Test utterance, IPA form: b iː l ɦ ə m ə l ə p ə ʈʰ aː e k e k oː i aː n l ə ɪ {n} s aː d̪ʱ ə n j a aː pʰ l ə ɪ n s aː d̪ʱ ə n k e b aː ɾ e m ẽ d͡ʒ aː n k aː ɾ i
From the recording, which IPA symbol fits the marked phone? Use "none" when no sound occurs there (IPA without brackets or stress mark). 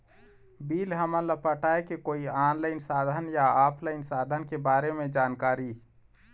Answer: n